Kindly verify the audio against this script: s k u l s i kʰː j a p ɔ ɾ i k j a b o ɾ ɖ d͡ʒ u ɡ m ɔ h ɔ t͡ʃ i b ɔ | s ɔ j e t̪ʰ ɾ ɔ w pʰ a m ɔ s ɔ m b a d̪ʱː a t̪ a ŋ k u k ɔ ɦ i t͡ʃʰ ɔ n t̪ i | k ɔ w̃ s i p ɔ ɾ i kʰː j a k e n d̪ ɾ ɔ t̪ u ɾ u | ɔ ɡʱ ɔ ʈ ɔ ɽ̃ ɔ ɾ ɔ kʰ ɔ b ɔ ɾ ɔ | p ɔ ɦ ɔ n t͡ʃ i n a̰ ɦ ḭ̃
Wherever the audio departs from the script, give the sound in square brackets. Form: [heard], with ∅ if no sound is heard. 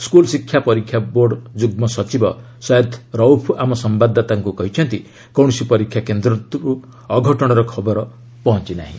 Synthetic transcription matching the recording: s k u l s i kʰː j a p ɔ ɾ i [kʰ] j a b o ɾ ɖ d͡ʒ u ɡ m ɔ [s] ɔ t͡ʃ i b ɔ | s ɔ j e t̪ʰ ɾ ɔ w pʰ a m ɔ s ɔ m b a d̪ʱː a t̪ a ŋ k u k ɔ ɦ i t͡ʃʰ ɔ n t̪ i | k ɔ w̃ s i p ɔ ɾ i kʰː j a k e n d̪ ɾ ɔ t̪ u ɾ u | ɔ ɡʱ ɔ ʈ ɔ ɽ̃ ɔ ɾ ɔ kʰ ɔ b ɔ ɾ ɔ | p ɔ ɦ ɔ n t͡ʃ i n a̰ ɦ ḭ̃